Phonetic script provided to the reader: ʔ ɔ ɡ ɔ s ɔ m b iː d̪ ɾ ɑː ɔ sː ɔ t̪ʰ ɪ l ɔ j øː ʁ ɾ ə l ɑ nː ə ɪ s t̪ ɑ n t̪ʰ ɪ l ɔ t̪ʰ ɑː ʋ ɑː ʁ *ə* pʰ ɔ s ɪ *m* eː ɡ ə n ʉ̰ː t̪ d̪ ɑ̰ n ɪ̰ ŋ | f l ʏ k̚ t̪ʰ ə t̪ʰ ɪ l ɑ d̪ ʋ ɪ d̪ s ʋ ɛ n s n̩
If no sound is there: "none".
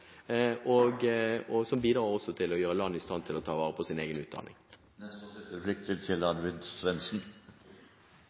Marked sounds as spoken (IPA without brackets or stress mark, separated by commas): ə, n